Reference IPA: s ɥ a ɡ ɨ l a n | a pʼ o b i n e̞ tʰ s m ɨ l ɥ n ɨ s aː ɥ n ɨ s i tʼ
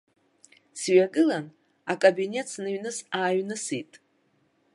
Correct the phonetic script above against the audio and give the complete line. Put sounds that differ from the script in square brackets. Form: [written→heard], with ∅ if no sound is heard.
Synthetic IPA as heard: s ɥ a ɡ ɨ l a n | a [pʼ→kʼ] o b i n e̞ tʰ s [m→n] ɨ [l→∅] ɥ n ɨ s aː ɥ n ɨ s i tʼ